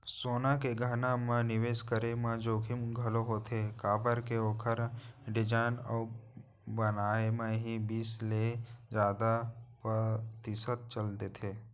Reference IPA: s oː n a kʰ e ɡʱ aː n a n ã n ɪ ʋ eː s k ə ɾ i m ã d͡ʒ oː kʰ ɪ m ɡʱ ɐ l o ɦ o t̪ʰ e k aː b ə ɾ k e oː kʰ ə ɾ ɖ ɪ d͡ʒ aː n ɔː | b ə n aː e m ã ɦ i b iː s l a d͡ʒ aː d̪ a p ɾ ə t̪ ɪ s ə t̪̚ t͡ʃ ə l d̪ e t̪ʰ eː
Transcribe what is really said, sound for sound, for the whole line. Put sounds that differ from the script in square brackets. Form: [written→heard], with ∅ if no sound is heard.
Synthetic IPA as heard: s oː n a [kʰ→k] e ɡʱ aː n a [n→m] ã n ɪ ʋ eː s k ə ɾ [i→e] m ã d͡ʒ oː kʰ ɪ m ɡʱ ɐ l o ɦ o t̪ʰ e k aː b ə ɾ k e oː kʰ ə ɾ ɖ ɪ d͡ʒ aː n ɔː | b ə n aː e m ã ɦ i b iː s l [a→e] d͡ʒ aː d̪ a p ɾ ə t̪ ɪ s ə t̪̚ t͡ʃ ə l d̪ e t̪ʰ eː